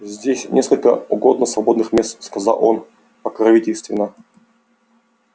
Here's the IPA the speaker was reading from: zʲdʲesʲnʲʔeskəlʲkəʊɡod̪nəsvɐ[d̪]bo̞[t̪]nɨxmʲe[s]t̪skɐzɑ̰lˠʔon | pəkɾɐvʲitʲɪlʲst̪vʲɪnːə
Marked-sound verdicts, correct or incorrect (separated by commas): incorrect, incorrect, correct